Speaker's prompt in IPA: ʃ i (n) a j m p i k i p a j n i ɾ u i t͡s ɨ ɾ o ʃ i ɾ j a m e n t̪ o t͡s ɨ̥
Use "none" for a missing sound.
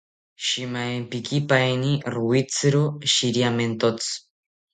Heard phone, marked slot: m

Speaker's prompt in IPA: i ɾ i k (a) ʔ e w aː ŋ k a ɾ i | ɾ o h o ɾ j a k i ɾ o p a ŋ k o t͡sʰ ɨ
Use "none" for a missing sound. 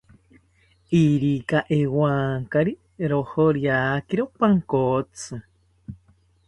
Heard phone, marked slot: a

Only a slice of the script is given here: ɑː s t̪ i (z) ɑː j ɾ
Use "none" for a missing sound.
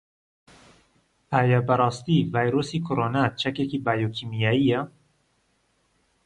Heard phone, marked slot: v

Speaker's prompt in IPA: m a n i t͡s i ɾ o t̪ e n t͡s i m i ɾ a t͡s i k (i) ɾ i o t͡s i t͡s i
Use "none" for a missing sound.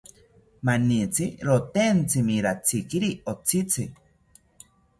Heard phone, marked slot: i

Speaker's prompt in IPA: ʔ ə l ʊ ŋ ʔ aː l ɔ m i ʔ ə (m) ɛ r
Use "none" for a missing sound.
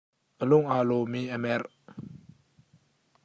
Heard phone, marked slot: m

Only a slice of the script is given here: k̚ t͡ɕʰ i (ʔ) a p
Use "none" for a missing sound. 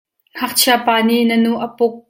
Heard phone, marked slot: none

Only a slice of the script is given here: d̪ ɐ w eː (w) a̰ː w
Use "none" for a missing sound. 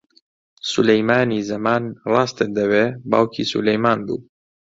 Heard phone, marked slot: b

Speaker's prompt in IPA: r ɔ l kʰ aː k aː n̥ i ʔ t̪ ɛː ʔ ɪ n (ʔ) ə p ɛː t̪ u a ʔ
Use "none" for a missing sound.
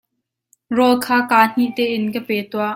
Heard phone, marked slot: k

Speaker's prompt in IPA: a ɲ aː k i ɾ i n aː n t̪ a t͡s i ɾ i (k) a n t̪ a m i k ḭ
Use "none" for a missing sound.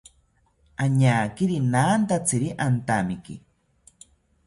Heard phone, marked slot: ʔ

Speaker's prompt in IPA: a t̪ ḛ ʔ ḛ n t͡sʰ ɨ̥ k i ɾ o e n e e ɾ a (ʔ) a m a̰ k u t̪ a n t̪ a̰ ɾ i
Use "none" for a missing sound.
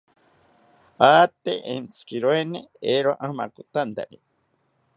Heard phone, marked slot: ʔ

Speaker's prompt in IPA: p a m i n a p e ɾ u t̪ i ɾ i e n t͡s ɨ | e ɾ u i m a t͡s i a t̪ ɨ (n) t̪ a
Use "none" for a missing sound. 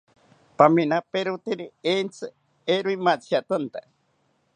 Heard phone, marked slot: n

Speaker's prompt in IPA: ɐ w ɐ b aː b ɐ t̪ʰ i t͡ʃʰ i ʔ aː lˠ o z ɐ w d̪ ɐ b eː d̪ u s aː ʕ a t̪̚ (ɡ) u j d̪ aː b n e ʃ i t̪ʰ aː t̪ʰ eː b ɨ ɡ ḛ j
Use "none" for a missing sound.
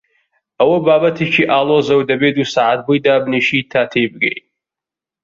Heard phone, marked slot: b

